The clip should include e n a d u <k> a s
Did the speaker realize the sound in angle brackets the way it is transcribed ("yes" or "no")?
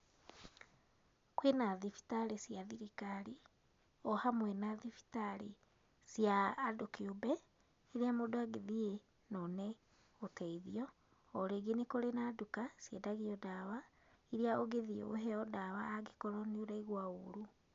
yes